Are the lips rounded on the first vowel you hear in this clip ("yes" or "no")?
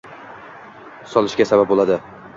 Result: yes